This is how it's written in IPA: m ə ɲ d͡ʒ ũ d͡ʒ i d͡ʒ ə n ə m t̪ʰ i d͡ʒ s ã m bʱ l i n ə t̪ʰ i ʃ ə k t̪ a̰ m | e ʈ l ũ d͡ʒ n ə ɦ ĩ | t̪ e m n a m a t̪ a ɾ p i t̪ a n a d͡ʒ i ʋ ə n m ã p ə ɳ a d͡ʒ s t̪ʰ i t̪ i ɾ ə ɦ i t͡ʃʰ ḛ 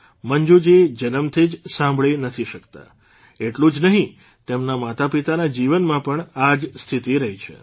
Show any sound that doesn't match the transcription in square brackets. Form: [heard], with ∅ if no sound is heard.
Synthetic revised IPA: m ə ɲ d͡ʒ [u] d͡ʒ i d͡ʒ ə n ə m t̪ʰ i d͡ʒ s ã m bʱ [ɭ] i n ə t̪ʰ i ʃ ə k t̪ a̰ [∅] | e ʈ l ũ d͡ʒ n ə ɦ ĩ | t̪ e m n a m a t̪ a [∅] p i t̪ a n a d͡ʒ i ʋ ə n m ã p ə ɳ a d͡ʒ s t̪ʰ i t̪ i ɾ ə ɦ i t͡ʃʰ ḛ